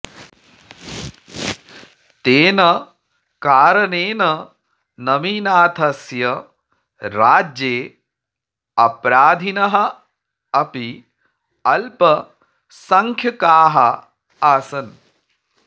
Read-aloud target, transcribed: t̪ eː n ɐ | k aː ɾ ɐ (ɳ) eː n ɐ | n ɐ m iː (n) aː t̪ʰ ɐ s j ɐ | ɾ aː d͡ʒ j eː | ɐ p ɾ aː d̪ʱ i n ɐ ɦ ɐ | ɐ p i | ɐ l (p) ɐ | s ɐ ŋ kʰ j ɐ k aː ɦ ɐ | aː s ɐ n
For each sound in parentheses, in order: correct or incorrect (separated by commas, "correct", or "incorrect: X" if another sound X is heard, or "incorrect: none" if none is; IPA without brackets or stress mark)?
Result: incorrect: n, correct, correct